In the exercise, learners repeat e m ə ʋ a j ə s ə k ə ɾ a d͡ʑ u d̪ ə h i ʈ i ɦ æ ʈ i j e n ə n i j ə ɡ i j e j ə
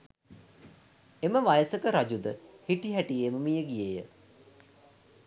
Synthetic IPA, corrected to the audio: e m ə ʋ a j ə s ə k ə ɾ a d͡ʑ u d̪ ə h i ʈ i ɦ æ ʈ i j e m ə m i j ə ɡ i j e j ə